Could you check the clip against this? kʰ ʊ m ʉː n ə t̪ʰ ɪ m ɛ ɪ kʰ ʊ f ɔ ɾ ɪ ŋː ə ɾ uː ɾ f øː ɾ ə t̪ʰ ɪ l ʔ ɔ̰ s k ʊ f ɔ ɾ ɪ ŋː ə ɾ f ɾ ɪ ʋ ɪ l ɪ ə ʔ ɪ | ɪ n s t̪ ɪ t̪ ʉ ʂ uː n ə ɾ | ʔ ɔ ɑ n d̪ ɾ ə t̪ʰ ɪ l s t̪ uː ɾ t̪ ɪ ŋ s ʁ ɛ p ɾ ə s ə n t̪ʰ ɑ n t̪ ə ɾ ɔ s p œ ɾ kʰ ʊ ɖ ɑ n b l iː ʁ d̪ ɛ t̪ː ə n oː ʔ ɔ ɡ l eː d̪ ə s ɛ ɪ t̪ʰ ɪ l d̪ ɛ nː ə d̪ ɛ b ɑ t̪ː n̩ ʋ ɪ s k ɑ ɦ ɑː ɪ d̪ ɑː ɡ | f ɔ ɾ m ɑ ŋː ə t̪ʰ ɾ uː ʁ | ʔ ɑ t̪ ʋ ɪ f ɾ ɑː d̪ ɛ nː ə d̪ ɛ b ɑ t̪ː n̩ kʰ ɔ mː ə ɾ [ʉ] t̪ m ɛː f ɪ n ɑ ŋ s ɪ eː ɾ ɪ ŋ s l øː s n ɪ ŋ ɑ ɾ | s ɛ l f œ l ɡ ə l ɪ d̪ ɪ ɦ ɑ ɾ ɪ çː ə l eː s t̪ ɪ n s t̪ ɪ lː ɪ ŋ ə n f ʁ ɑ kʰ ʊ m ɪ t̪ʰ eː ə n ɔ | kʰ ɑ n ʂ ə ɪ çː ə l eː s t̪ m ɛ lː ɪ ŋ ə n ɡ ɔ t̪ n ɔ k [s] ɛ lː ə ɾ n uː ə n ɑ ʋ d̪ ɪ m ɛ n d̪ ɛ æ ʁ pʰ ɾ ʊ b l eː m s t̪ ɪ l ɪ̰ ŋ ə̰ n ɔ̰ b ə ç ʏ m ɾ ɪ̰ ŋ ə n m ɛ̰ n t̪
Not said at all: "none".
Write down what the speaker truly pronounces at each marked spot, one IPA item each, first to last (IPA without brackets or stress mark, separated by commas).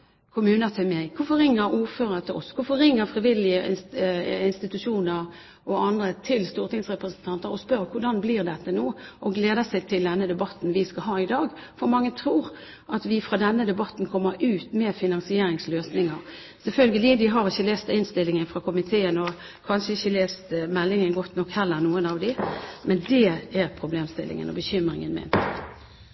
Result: ʉː, h